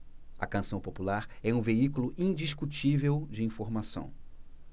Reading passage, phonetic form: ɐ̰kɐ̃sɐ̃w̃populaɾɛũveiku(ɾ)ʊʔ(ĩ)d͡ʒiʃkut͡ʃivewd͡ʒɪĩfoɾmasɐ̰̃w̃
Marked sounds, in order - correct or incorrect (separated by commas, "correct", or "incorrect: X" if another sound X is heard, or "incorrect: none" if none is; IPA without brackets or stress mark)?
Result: incorrect: l, correct